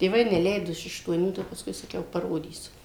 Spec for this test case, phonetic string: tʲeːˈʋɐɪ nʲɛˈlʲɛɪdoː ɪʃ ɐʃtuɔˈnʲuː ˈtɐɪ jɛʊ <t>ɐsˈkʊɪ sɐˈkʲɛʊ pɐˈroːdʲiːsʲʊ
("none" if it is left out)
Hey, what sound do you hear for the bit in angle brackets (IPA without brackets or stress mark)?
p